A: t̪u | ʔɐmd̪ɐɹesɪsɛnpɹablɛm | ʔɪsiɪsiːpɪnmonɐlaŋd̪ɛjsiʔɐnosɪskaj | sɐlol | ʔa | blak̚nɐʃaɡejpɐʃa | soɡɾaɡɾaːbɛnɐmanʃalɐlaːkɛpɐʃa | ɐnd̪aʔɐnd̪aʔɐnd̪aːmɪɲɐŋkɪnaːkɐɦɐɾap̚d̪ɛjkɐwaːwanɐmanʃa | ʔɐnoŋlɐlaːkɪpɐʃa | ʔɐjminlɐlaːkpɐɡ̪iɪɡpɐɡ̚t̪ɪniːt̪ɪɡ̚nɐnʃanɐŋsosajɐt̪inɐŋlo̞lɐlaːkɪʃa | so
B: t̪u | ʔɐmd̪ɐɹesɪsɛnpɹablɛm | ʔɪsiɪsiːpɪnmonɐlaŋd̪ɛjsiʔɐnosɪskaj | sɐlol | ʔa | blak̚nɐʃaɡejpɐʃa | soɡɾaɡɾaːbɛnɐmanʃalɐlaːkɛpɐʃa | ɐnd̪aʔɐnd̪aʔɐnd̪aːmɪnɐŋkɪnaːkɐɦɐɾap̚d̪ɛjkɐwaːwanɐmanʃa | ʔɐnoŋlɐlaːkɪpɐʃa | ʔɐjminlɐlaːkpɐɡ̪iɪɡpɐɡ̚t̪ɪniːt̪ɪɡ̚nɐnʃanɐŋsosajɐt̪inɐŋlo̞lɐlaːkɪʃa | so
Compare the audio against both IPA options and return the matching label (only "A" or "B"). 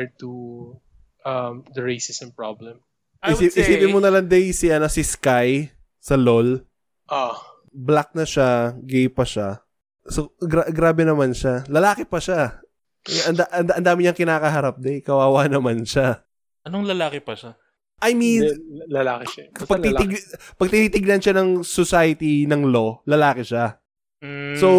A